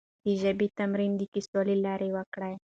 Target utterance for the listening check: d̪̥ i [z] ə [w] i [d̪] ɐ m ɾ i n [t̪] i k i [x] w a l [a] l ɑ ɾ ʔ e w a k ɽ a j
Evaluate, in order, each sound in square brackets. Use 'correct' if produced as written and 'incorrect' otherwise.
incorrect, incorrect, incorrect, incorrect, incorrect, incorrect

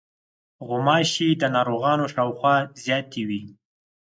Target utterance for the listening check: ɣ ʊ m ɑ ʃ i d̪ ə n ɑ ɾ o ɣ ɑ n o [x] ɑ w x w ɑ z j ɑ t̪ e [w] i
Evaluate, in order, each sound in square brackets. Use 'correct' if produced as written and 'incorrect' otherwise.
incorrect, correct

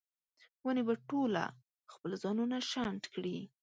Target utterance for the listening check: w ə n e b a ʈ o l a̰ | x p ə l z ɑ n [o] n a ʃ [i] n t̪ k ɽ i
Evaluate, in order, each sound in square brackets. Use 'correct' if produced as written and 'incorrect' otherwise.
incorrect, incorrect

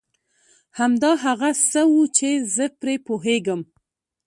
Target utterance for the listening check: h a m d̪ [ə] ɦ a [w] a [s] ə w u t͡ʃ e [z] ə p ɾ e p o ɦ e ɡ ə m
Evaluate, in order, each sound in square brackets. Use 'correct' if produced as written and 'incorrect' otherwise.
incorrect, incorrect, correct, correct

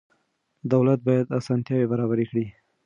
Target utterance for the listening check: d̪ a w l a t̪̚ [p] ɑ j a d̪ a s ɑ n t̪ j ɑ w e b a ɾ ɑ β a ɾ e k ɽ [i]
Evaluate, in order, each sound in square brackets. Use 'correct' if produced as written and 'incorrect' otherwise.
incorrect, correct

